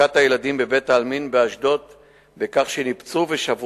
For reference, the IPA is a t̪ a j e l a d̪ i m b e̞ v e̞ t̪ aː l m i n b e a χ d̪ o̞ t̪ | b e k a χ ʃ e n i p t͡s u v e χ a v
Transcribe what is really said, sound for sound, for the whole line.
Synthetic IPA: a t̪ a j e l a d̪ i m b e̞ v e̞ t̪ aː l m i n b e a ʃ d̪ o̞ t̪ | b e k a χ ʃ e n i p t͡s u v e ʃ a v